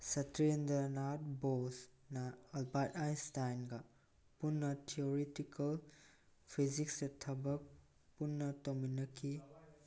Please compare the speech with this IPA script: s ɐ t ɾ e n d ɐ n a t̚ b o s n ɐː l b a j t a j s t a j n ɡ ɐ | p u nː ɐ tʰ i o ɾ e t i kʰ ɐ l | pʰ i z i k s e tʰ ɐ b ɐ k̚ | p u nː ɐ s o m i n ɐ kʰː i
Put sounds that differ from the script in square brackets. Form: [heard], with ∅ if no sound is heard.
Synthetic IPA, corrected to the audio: s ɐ t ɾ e n d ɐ n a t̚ b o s n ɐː l b a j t a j s t a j n ɡ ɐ | p u nː ɐ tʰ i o ɾ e t i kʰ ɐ l | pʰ i z i k s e tʰ ɐ b ɐ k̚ | p u nː ɐ [t] o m i n ɐ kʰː i